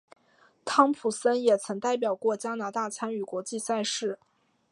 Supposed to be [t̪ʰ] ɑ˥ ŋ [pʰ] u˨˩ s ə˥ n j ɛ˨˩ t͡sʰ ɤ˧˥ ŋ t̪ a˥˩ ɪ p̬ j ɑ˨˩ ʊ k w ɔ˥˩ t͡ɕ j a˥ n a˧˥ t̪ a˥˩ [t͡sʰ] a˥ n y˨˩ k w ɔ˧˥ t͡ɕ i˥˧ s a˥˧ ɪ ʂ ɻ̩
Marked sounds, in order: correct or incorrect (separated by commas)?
correct, correct, correct